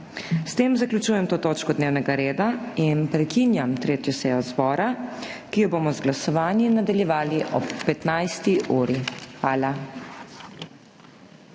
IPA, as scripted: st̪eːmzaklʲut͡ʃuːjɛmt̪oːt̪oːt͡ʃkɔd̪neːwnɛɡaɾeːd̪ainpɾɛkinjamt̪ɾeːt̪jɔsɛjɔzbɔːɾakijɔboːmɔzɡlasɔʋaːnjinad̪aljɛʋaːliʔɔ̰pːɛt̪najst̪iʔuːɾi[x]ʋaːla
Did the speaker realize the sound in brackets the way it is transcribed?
yes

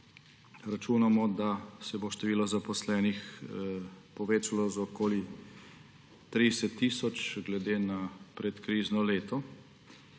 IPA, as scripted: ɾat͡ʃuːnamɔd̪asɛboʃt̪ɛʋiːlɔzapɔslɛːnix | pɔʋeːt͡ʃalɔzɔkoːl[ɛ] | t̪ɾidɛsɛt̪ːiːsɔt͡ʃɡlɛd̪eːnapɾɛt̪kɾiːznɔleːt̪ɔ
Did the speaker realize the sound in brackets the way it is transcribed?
no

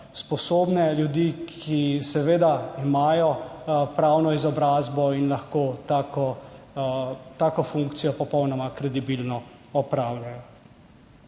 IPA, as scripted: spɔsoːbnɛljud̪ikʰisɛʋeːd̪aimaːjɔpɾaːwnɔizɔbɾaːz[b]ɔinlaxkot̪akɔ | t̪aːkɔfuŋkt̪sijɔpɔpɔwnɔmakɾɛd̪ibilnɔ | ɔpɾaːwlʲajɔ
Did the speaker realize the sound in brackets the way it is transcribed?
yes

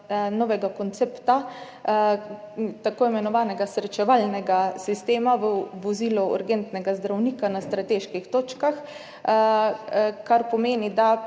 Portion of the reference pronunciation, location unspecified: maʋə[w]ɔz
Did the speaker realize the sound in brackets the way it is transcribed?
no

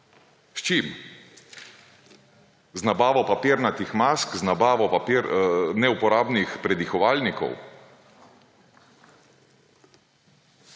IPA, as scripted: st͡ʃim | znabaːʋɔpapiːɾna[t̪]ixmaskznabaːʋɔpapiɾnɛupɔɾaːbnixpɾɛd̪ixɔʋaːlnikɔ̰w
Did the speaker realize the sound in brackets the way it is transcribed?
yes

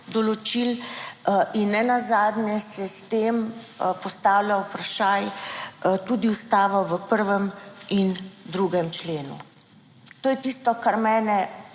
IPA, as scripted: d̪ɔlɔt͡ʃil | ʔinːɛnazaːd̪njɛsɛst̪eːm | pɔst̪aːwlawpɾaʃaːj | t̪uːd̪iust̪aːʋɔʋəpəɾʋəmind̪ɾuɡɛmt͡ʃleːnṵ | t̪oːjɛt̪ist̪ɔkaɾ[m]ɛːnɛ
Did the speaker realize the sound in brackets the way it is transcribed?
yes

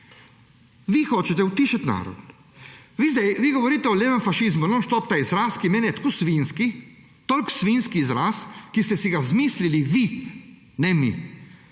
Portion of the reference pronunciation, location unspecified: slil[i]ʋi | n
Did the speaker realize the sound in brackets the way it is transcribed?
yes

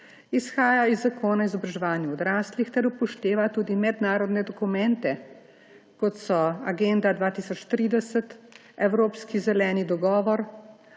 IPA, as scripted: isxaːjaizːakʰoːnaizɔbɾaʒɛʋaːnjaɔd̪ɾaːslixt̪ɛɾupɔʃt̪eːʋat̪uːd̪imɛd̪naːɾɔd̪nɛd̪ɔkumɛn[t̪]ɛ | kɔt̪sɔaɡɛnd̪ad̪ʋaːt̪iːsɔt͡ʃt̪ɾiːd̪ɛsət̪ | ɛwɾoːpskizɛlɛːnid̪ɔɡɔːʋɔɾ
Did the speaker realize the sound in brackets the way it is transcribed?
yes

